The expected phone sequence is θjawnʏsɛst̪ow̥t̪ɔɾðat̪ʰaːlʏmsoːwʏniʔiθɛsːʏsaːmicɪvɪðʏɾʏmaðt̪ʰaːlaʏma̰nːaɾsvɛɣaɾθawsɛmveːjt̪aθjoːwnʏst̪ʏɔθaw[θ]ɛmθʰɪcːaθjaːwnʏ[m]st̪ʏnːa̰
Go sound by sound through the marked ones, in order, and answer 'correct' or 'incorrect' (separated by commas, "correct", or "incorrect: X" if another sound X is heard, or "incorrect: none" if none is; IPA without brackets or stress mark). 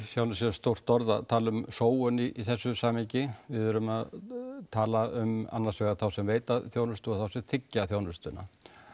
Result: incorrect: s, incorrect: none